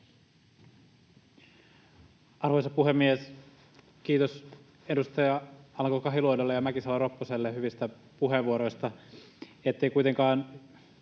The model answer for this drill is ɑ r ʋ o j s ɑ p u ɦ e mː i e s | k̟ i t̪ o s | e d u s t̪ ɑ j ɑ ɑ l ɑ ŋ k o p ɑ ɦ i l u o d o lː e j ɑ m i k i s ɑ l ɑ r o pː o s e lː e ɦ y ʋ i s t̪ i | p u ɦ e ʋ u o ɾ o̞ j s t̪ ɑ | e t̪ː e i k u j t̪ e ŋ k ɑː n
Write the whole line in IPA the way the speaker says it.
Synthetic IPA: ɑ r ʋ o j s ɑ p u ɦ e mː i e s | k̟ iː t̪ o s | e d u s t̪ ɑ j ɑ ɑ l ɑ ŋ k o k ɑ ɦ i l u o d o lː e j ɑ m æ k i s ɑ l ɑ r o pː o s e lː e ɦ y ʋ i s t̪ æ | p u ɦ e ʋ u o ɾ o̞ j s t̪ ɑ | e t̪ː e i k u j t̪ e ŋ k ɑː n